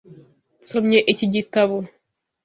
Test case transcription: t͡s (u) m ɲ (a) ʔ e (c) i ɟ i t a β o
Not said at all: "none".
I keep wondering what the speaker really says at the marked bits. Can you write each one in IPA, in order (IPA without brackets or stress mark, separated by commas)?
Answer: o, e, c